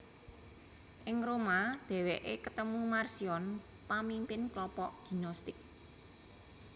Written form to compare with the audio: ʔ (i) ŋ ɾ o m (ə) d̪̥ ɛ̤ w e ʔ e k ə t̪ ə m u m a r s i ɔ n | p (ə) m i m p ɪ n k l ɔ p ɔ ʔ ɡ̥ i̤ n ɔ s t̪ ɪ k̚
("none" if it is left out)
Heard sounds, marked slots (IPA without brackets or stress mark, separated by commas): ɪ, a, a